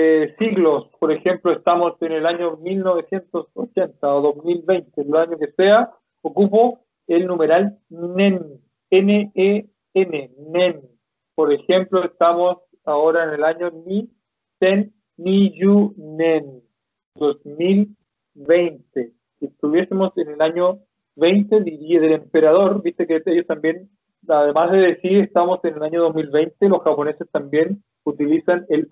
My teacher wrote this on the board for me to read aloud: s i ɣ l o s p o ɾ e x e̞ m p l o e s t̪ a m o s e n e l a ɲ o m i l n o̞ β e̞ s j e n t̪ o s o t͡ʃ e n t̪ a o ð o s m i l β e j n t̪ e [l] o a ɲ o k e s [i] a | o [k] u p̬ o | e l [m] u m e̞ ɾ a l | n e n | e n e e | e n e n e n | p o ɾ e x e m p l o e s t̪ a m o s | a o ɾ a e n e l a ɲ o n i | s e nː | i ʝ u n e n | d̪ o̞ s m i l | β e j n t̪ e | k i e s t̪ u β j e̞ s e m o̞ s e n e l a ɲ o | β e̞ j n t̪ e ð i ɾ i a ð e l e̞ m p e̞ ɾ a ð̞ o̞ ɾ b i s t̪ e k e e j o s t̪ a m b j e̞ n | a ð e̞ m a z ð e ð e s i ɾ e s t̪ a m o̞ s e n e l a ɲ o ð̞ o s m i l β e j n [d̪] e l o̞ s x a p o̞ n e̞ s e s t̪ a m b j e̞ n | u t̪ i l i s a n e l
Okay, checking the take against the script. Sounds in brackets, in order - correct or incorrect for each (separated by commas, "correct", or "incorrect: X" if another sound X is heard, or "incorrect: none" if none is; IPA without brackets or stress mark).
correct, incorrect: e, correct, incorrect: n, incorrect: t̪